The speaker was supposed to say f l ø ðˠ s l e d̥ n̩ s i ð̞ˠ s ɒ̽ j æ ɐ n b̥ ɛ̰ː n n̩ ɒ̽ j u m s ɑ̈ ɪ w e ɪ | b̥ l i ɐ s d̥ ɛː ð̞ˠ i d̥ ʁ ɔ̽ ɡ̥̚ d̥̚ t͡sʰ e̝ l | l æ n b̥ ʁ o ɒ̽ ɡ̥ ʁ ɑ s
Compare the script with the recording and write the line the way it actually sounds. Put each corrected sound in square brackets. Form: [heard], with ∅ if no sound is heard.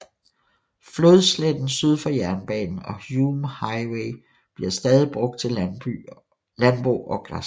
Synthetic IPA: f l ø ðˠ s l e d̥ n̩ s [y] ð̞ˠ [f] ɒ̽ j æ ɐ n b̥ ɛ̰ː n n̩ ɒ̽ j u m [h] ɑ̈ ɪ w e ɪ | b̥ l i ɐ s d̥ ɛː ð̞ˠ i [b̥] ʁ ɔ̽ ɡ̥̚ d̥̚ t͡sʰ e̝ l | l æ n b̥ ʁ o ɒ̽ ɡ̥ ʁ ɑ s